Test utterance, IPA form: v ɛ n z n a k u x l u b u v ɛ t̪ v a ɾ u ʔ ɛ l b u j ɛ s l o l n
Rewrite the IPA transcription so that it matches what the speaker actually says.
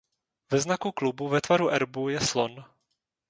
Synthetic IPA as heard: v ɛ z n a k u k l u b u v ɛ t̪ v a ɾ u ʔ ɛ ɾ b u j ɛ s l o n